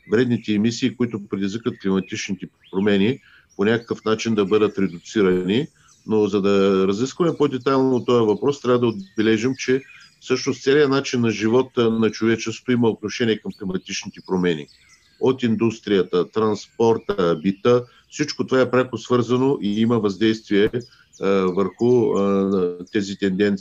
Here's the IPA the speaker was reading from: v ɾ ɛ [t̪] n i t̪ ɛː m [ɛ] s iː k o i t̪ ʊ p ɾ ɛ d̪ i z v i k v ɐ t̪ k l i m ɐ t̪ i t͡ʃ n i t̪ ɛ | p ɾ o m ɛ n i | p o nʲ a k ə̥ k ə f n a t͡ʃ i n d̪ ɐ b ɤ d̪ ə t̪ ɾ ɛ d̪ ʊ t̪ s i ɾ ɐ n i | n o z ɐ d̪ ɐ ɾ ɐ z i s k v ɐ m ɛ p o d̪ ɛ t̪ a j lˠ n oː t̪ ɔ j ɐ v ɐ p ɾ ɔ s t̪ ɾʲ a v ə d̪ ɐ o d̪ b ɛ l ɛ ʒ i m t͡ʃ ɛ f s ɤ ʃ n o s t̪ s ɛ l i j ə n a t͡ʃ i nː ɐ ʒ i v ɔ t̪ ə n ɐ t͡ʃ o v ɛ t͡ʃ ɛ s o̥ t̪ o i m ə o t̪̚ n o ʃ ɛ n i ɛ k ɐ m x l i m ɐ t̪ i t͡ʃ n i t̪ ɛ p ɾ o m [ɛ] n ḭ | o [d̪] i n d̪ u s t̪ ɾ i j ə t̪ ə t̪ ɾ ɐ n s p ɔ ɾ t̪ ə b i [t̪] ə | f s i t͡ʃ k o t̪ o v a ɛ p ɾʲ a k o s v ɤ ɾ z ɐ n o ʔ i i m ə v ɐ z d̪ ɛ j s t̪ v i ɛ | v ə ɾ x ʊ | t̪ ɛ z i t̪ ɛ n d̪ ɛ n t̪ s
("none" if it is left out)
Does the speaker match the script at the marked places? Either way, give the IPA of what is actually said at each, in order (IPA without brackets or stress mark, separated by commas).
d̪, i, ɛ, t̪, t̪